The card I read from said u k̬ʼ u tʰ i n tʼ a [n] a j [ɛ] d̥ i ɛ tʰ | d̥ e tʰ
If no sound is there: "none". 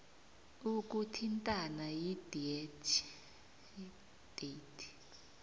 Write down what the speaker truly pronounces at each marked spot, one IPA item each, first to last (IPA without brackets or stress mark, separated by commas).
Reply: n, i